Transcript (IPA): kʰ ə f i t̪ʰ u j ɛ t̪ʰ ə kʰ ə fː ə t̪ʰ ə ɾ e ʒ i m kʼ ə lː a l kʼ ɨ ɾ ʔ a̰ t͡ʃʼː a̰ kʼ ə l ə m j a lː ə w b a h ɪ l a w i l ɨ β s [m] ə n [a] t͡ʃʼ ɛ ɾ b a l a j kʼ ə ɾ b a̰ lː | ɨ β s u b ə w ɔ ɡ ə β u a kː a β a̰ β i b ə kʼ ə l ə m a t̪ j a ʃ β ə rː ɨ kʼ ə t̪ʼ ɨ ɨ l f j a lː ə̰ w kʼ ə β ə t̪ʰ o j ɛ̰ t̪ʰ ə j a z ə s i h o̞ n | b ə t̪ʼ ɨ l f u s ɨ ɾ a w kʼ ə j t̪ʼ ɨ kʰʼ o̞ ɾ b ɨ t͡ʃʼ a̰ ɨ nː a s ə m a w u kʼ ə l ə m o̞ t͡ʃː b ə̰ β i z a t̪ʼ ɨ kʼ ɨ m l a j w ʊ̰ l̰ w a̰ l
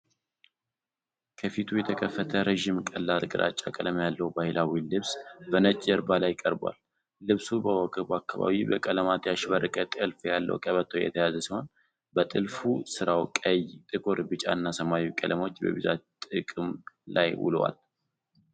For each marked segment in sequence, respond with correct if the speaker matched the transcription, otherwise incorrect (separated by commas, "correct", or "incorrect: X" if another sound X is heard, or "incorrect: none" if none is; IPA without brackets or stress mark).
incorrect: b, incorrect: ə